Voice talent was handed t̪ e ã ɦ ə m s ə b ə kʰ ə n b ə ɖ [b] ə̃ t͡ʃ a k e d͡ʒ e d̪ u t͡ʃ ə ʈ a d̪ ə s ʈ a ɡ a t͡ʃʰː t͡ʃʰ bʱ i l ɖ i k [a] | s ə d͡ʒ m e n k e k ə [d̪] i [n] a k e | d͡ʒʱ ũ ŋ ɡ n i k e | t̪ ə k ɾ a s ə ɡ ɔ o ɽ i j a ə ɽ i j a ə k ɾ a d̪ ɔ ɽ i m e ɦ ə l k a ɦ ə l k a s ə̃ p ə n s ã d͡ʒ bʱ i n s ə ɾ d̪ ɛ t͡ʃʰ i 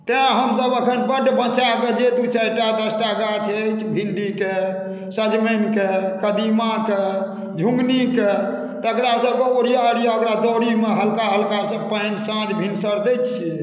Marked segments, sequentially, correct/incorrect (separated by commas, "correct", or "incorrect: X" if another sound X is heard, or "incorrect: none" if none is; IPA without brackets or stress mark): correct, incorrect: e, correct, incorrect: m